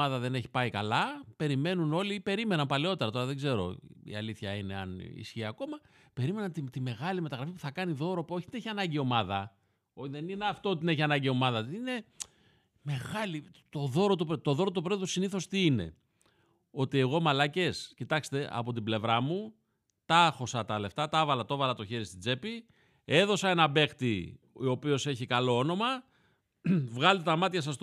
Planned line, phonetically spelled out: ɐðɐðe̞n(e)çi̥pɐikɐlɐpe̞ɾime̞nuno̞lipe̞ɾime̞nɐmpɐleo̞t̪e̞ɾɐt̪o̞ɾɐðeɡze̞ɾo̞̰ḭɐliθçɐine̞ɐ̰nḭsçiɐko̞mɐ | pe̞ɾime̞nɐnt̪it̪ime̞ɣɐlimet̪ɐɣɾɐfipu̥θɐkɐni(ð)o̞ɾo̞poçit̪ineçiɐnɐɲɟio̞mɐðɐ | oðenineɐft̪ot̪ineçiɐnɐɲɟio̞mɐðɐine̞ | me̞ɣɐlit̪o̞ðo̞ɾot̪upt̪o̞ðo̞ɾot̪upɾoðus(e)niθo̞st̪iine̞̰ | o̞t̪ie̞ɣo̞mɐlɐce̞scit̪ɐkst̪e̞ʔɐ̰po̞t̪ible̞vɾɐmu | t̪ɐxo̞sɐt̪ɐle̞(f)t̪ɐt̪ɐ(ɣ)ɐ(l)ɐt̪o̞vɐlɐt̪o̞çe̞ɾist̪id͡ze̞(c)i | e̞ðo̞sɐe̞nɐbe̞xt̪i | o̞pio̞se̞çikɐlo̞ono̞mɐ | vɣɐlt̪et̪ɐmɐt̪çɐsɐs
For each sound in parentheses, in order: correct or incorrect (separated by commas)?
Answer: correct, correct, incorrect, correct, incorrect, correct, incorrect